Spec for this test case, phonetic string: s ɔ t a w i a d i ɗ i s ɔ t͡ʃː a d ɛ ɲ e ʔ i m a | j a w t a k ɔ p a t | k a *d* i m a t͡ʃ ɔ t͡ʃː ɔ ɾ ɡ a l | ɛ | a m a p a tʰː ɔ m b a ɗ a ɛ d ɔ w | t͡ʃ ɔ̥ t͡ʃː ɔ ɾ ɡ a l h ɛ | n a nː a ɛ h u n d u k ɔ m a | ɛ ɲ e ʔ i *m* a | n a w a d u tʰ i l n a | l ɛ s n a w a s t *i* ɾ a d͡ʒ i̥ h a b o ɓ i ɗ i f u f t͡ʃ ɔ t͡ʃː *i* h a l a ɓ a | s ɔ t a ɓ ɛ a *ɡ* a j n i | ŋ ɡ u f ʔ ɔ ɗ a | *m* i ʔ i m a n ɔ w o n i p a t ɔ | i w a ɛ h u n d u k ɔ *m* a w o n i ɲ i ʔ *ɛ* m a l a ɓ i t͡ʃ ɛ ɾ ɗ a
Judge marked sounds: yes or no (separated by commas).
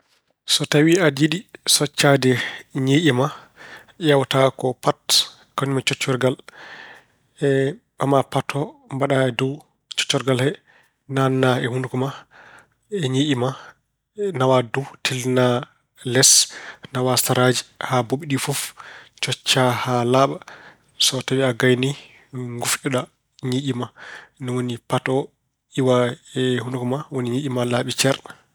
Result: no, yes, no, no, yes, no, yes, no